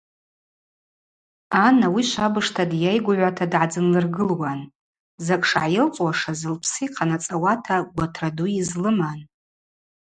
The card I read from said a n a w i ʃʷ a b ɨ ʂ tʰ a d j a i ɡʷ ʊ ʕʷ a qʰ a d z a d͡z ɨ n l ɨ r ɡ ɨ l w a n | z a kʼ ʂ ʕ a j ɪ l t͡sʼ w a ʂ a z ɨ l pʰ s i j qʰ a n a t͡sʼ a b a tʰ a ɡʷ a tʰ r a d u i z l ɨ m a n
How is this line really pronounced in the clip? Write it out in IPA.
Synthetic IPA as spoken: a n a w i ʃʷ a b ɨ ʂ tʰ a d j a j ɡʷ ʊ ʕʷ a tʰ a d ʕ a d͡z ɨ n l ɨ r ɡ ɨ l w a n | z a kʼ ʂ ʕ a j ɪ l t͡sʼ w a ʂ a z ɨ l pʰ s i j qʰ a n a t͡sʼ a w a tʰ a ɡʷ a tʰ r a d u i z l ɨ m a n